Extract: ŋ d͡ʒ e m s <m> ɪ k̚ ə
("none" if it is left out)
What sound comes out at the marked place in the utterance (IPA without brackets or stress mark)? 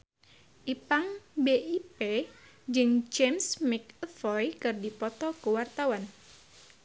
m